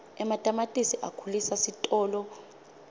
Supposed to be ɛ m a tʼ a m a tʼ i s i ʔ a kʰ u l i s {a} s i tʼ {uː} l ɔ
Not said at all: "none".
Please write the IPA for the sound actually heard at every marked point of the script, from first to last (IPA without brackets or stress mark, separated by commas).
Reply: a, ɔː